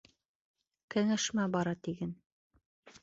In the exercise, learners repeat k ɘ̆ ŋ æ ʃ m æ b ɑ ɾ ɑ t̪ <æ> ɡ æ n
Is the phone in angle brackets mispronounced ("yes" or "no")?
yes